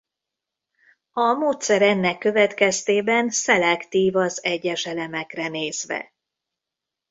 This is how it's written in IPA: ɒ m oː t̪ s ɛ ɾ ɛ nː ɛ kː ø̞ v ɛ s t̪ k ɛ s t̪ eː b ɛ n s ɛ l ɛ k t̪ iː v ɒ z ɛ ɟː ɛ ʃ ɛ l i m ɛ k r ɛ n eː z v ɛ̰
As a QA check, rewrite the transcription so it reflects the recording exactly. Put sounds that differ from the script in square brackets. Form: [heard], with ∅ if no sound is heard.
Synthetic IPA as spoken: ɒ m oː t̪ s ɛ ɾ ɛ nː ɛ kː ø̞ v ɛ [∅] t̪ k ɛ s t̪ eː b ɛ n s ɛ l ɛ k t̪ iː v ɒ z ɛ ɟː ɛ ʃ ɛ l [ɛ] m ɛ k r ɛ n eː z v ɛ̰